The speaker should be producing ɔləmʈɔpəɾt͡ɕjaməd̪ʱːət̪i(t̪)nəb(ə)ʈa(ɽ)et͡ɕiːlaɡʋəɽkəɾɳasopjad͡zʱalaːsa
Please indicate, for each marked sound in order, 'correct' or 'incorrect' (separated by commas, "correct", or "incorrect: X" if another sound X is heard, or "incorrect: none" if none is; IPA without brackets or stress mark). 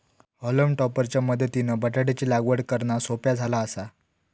incorrect: none, correct, correct